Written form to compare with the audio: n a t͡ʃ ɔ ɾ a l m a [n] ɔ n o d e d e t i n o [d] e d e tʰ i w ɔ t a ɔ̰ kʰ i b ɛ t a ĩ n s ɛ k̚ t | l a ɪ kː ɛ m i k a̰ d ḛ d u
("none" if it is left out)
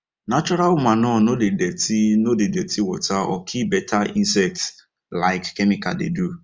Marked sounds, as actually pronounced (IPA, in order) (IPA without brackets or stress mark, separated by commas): n, d